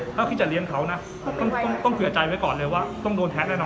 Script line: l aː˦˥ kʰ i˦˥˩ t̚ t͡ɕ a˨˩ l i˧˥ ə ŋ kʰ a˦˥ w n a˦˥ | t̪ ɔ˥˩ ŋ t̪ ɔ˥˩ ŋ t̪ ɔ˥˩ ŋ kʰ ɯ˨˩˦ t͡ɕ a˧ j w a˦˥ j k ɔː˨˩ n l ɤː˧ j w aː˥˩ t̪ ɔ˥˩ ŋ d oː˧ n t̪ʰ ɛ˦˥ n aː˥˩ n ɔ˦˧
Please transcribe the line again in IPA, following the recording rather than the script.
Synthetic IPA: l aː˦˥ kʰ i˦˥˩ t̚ t͡ɕ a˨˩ l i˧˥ ə n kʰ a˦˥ w n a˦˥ | t̪ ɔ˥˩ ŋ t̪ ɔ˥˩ ŋ t̪ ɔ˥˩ ŋ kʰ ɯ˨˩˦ t͡ɕ a˧ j w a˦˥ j k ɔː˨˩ n l ɤː˧ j w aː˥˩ t̪ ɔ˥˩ ŋ d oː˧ n t̪ʰ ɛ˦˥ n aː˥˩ n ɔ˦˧